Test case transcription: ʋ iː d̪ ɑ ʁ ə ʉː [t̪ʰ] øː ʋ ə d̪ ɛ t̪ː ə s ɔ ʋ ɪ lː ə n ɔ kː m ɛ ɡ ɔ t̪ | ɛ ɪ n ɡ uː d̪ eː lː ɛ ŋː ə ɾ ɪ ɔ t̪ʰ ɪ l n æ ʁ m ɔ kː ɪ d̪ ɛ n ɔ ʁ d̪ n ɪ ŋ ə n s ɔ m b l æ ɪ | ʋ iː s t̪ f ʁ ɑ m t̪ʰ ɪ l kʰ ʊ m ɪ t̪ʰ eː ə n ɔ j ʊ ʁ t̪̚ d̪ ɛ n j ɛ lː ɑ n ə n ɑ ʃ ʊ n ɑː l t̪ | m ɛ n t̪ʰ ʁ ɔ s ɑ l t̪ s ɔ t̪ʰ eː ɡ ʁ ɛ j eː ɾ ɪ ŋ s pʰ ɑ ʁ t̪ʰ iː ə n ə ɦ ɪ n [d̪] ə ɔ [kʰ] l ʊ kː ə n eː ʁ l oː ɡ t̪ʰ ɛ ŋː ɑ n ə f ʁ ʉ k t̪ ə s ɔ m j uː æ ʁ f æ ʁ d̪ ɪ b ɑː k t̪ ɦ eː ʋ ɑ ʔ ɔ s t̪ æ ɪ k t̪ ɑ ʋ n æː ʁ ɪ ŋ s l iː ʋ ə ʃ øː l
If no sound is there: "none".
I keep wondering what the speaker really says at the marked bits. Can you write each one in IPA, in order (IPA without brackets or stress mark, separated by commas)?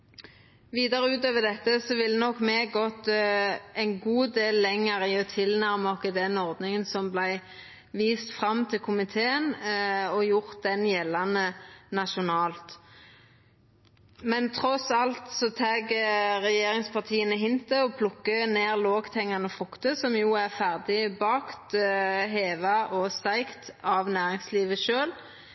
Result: t̪, t̪, pʰ